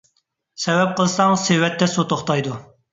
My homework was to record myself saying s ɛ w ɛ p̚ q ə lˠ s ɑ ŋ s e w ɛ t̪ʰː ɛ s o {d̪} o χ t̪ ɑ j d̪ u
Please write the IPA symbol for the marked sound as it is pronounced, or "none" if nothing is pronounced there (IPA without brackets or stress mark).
t̪